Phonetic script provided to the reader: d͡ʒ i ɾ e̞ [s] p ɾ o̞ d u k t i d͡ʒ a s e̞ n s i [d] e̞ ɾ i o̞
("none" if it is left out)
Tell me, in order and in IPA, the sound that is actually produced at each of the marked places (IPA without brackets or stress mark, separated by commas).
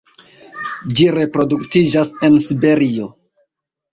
none, b